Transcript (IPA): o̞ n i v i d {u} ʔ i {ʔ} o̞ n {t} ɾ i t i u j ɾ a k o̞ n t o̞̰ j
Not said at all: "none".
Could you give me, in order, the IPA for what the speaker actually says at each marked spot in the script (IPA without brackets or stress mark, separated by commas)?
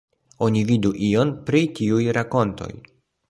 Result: u, none, p